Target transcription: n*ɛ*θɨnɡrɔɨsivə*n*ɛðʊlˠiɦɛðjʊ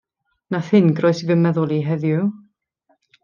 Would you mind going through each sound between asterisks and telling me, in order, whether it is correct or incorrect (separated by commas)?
incorrect, incorrect